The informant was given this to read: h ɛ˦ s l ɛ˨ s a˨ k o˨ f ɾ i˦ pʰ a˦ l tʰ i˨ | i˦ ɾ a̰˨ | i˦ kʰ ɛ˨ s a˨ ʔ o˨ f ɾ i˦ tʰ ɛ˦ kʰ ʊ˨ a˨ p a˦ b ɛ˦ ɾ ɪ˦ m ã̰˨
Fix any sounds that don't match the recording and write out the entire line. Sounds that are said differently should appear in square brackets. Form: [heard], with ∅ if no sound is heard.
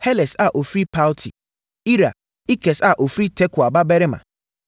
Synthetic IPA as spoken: h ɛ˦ [∅] l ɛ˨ s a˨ [ʔ] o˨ f ɾ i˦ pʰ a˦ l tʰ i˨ | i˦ ɾ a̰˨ | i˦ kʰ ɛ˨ s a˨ ʔ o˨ f ɾ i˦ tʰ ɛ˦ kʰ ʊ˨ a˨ [b] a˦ b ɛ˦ ɾ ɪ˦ m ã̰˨